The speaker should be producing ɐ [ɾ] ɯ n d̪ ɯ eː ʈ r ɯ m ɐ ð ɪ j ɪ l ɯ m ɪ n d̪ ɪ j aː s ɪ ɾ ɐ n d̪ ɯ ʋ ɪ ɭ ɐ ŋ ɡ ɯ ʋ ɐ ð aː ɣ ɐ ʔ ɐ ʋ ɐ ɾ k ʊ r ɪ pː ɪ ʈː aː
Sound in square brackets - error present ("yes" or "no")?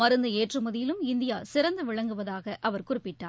no